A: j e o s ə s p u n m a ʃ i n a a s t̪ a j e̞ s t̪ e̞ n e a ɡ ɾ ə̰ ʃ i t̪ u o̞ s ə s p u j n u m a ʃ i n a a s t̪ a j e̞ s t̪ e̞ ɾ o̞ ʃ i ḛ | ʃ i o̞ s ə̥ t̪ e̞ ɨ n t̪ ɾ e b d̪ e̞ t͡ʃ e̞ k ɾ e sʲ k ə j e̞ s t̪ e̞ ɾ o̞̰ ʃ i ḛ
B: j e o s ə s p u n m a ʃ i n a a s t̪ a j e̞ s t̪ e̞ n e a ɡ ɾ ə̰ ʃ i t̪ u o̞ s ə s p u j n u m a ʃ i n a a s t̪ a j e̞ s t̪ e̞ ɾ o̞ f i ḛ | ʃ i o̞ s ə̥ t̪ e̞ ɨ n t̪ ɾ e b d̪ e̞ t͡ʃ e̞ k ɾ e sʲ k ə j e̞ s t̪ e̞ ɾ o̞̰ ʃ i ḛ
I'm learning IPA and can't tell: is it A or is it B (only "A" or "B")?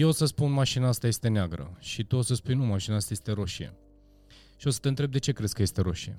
A